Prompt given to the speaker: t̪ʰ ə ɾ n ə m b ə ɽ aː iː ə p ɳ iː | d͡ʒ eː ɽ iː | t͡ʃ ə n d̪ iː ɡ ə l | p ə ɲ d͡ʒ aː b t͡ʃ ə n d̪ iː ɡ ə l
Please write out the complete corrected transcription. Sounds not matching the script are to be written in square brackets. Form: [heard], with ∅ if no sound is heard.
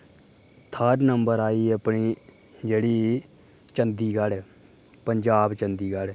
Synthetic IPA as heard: t̪ʰ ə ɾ n ə m b ə [ɾ] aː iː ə p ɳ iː | d͡ʒ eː ɽ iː | t͡ʃ ə n d̪ iː ɡ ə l | p ə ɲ d͡ʒ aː b t͡ʃ ə n d̪ iː ɡ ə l